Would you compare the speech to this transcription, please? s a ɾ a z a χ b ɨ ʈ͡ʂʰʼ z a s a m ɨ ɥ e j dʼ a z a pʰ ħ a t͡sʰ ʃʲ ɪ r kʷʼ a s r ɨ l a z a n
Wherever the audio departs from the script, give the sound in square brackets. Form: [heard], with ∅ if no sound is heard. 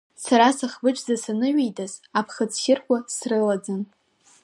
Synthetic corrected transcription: s a ɾ a [s] a χ b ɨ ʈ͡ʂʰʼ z a s a [n] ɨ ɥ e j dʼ a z a pʰ [χ] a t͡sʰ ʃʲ ɪ r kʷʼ a s r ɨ l a [d͡z] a n